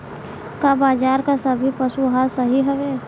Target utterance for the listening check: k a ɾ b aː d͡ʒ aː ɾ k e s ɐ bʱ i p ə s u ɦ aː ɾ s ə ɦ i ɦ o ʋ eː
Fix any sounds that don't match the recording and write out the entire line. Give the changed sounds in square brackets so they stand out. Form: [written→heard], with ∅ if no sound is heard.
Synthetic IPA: k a [ɾ→∅] b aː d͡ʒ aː ɾ k [e→a] s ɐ bʱ i p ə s u ɦ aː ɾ s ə ɦ i ɦ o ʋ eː